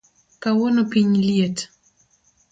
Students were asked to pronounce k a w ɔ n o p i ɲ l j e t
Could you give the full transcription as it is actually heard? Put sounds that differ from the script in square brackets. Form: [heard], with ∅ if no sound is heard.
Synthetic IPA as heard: k a w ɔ n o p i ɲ l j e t